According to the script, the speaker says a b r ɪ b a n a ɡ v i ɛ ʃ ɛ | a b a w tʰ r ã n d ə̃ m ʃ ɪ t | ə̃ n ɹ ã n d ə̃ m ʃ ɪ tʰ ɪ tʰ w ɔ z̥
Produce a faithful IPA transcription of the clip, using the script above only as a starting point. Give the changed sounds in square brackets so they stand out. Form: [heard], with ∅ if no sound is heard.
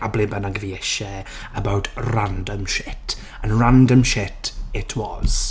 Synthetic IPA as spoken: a b [l] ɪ b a n a ɡ v i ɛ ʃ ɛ | [ə] b a w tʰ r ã n d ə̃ m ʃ ɪ t | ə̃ n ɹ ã n d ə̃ m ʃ ɪ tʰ ɪ tʰ w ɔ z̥